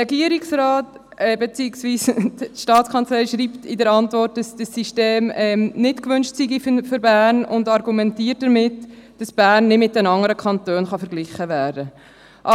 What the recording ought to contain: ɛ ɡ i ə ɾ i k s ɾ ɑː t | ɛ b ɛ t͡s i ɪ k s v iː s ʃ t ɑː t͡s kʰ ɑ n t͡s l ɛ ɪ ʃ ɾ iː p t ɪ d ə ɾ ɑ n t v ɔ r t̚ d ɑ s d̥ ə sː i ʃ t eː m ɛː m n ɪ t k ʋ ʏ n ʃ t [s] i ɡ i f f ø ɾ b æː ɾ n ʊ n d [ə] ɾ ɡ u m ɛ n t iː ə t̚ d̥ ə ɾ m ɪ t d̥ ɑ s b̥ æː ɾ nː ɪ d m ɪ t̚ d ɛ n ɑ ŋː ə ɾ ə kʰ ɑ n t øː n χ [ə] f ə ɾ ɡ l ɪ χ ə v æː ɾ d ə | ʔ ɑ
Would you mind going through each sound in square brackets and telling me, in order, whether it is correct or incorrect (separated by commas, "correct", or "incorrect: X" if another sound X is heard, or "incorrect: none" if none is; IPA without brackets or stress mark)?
correct, incorrect: ɑ, incorrect: ɑ